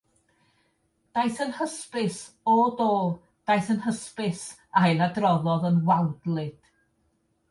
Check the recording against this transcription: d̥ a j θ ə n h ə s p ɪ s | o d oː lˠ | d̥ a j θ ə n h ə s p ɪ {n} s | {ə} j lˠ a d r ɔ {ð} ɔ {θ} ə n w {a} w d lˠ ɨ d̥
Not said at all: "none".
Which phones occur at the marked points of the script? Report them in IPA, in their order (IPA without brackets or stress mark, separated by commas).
none, a, ð, ð, a